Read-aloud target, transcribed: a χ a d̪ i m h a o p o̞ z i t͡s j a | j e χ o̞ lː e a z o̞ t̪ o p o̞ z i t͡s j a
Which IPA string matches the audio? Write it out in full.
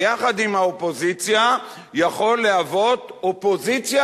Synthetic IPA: a χ a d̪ i m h a o p o̞ z i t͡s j a | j a χ o̞ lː e a v o̞ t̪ o p o̞ z i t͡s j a